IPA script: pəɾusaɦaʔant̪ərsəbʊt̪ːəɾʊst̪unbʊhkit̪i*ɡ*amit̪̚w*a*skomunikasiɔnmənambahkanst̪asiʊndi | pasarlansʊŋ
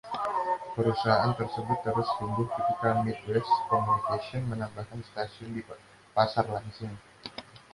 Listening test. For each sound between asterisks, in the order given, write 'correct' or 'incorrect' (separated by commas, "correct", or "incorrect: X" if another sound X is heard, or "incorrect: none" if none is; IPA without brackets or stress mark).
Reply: incorrect: k, incorrect: ɛ